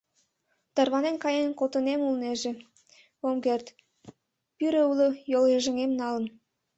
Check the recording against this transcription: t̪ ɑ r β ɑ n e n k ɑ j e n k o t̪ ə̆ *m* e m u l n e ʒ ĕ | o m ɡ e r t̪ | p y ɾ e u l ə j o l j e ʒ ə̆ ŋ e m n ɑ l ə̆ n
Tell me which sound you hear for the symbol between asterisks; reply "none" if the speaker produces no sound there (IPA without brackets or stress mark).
n